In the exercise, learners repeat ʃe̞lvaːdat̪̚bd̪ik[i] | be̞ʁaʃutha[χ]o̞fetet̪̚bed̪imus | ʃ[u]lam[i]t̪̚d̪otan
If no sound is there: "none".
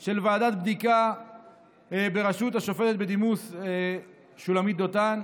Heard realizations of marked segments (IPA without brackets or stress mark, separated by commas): a, ʃ, u, i